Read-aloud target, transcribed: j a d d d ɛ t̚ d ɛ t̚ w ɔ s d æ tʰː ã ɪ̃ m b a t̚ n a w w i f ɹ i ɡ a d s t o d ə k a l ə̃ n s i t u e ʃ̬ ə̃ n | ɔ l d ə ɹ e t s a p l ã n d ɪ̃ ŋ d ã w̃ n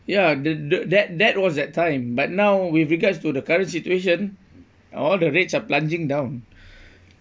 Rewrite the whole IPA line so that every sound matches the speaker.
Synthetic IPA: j a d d d ɛ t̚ d ɛ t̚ w ɔ s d ɛ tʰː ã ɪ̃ m b a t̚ n a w w i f ɹ i ɡ a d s t u d ə k a ɹ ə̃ n s i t u e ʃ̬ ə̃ n | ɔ l d ə ɹ e t s a p l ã n d͡ʒ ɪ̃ ŋ d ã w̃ n